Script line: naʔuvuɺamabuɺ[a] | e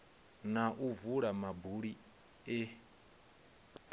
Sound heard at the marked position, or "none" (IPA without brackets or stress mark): i